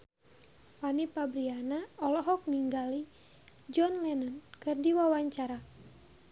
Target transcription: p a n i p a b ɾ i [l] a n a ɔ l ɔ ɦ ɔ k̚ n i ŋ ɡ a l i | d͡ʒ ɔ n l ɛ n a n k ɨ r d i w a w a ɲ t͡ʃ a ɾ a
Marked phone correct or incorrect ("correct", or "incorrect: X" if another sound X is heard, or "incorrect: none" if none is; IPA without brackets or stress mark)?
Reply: incorrect: none